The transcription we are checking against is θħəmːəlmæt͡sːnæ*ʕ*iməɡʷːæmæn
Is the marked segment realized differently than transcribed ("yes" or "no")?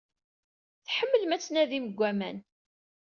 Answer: yes